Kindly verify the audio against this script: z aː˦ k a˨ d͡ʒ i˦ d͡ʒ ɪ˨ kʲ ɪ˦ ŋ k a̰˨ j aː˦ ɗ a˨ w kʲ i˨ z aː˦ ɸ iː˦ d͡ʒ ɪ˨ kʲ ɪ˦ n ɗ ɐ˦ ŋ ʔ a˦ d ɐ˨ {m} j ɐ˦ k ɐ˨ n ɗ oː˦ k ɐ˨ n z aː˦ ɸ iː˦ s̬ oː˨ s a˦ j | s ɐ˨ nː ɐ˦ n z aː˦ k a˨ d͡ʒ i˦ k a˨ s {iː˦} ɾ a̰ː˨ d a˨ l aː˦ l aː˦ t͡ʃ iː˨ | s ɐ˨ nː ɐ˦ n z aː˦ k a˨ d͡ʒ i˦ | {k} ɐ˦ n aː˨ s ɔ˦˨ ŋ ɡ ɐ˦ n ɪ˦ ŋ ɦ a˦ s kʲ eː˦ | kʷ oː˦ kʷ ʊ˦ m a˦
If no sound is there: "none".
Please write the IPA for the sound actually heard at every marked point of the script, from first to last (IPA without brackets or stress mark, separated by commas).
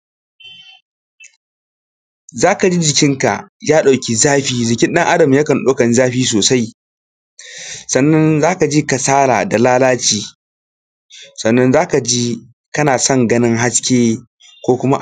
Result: m, aː˦, k